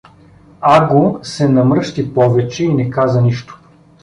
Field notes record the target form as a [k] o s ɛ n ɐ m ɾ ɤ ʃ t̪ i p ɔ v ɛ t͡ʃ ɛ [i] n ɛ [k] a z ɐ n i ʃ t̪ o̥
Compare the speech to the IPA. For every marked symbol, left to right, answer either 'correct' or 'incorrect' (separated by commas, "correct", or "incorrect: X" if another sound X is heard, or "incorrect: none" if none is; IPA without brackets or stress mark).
incorrect: ɡ, correct, correct